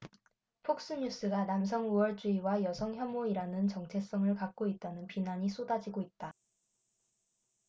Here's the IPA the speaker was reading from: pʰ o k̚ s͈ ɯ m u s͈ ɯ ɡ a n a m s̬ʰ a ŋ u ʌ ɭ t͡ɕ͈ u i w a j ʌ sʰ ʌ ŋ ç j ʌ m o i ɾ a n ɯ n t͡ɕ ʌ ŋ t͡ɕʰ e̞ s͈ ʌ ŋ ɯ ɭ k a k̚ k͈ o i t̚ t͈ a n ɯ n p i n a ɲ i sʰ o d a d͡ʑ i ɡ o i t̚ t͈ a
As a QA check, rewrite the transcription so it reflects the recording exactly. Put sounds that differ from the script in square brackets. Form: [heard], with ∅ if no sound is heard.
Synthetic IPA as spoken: pʰ o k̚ s͈ ɯ [ɲ] u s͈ ɯ ɡ a n a m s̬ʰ [ʌ] ŋ u ʌ ɭ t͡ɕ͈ u i w a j ʌ sʰ ʌ ŋ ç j ʌ m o i ɾ a n ɯ n t͡ɕ ʌ ŋ t͡ɕʰ e̞ s͈ ʌ ŋ ɯ ɭ k a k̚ k͈ o i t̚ t͈ a n ɯ n p i n a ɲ i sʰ o d a d͡ʑ i ɡ o i t̚ t͈ a